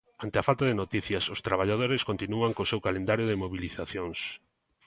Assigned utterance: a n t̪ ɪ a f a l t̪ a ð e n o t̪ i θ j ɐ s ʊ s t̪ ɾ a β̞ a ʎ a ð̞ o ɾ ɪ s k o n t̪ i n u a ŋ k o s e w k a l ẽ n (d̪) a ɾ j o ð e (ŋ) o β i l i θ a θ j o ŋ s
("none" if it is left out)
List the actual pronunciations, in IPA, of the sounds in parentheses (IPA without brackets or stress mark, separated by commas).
d̪, m